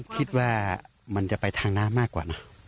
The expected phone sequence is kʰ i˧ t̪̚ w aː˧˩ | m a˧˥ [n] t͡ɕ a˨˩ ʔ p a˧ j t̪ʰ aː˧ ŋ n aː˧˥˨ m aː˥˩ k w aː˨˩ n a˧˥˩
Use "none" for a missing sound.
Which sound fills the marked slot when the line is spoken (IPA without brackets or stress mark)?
n